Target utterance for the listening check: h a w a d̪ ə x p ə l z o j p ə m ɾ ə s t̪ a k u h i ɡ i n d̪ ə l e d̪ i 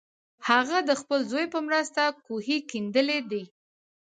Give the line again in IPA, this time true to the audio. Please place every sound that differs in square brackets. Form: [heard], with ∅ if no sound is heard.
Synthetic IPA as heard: h a [ɣ] a d̪ ə x p ə l z o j p ə m ɾ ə s t̪ a k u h i [k] i n d̪ ə l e d̪ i